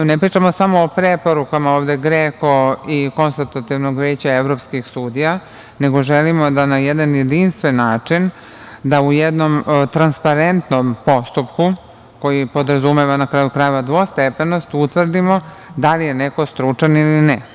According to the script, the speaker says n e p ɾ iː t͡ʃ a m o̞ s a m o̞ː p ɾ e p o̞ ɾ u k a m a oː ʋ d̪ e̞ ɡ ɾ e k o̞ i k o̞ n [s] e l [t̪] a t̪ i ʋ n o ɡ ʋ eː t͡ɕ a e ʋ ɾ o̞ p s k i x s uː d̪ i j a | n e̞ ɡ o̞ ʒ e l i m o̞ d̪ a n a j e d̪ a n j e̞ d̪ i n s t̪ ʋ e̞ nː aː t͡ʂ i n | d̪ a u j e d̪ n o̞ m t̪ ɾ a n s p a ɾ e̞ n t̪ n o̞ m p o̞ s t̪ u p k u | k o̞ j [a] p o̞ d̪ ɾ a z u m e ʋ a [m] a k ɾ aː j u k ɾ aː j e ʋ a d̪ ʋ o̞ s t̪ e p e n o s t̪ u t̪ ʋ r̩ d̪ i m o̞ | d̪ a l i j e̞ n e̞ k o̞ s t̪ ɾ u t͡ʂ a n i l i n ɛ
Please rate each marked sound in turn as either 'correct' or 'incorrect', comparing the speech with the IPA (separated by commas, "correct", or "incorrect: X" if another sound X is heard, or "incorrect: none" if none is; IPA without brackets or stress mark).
correct, correct, incorrect: i, incorrect: n